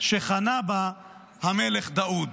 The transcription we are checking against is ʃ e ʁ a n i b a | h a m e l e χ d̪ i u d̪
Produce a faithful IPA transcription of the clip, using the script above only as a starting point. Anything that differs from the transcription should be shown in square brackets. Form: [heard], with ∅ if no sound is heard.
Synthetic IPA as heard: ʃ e [χ] a n [a] b a | h a m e l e χ d̪ [a] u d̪